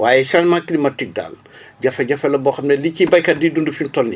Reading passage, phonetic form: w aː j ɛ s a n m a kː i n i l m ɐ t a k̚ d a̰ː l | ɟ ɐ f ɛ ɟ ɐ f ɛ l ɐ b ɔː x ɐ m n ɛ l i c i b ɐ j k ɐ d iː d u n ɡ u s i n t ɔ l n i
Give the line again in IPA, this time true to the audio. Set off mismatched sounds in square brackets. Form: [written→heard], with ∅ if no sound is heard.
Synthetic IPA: w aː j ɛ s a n m a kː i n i [l→∅] m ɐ t [a→i] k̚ d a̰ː l | ɟ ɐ f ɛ ɟ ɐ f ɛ l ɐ b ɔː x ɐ m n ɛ l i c i b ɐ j k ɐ d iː d u n [ɡ→d] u [s→f] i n t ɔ l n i